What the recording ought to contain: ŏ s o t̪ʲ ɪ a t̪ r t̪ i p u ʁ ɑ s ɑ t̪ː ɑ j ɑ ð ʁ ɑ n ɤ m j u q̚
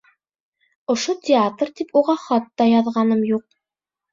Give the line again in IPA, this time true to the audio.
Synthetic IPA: ŏ ʃ o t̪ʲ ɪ a t̪ r t̪ i p u ʁ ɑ χ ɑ t̪ː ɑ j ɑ ð ʁ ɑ n ɤ m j u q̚